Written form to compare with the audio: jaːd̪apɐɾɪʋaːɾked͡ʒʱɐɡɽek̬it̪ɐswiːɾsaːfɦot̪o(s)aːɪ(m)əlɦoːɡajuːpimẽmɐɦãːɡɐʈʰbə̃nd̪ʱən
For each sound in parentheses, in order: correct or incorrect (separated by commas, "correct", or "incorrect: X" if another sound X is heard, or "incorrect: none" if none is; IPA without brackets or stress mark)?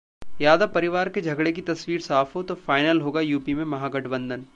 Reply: incorrect: f, incorrect: n